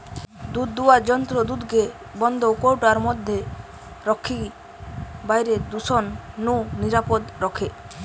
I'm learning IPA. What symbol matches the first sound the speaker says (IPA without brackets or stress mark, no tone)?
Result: d̪